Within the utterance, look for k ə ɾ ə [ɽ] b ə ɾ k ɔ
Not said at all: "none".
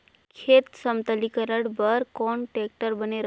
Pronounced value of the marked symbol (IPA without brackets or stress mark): ɽ